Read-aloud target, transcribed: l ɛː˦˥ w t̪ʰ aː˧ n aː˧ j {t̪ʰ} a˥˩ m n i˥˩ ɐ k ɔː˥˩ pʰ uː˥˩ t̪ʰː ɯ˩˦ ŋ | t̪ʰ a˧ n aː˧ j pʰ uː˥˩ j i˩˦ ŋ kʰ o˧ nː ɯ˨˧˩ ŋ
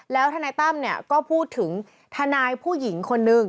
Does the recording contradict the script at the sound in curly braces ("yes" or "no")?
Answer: yes